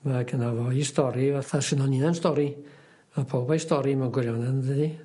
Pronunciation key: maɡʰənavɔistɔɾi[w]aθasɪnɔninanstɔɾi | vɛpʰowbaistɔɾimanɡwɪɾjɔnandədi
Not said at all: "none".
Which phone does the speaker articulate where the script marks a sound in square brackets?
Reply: v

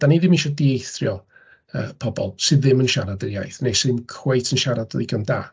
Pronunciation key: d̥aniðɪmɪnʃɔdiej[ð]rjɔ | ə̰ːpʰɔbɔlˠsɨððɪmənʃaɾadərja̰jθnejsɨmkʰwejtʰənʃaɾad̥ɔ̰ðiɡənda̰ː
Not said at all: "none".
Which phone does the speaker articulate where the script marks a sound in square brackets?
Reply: θ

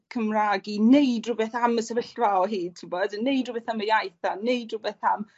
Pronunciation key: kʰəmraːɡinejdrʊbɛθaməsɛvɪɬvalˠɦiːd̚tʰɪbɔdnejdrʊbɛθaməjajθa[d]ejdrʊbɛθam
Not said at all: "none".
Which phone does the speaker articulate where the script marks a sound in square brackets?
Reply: n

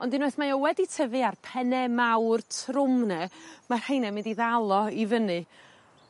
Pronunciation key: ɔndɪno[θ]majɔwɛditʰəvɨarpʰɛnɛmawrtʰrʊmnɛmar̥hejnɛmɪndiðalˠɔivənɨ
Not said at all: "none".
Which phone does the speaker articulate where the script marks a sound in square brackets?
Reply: θ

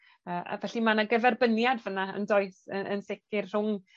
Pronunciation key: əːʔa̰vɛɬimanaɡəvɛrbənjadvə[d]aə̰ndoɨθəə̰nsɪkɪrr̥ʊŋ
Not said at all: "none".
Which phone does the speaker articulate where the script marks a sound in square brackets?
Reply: n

